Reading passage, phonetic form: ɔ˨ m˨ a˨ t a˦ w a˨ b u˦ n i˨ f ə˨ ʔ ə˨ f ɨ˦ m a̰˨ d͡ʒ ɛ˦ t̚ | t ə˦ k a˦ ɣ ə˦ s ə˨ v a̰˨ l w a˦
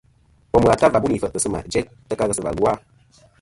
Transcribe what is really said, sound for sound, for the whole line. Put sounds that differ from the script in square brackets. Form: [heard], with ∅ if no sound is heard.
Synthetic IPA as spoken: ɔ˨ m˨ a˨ t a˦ [v] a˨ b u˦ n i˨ f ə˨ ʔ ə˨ [s] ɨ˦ m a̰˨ d͡ʒ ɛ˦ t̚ | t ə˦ k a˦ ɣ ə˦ s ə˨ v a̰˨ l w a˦